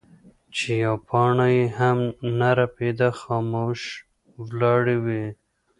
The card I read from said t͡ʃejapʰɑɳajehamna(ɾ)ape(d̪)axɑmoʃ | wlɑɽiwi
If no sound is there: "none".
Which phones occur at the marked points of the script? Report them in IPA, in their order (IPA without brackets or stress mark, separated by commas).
ɾ, d̪